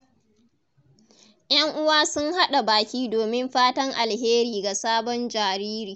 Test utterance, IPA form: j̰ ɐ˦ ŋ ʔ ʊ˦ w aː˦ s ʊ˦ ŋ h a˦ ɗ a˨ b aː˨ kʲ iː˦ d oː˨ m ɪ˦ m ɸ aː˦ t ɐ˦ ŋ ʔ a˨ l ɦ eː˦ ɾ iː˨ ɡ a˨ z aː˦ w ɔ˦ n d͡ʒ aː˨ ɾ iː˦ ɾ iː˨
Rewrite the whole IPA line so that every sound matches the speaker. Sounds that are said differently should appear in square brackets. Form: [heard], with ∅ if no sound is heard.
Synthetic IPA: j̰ ɐ˦ ŋ ʔ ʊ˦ w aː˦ s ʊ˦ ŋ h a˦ ɗ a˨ b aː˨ kʲ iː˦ d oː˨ m ɪ˦ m ɸ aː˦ t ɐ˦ ŋ ʔ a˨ l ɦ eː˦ ɾ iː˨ ɡ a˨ [s] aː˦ [b] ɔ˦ n d͡ʒ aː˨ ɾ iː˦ ɾ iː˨